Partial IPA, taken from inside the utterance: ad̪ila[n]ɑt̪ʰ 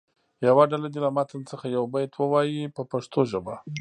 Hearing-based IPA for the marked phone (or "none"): m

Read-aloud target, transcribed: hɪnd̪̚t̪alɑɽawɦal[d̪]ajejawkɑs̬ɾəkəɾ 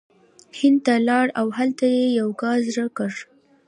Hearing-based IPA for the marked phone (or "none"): t̪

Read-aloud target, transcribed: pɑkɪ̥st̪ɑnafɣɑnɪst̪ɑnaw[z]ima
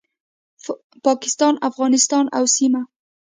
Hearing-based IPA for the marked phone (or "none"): s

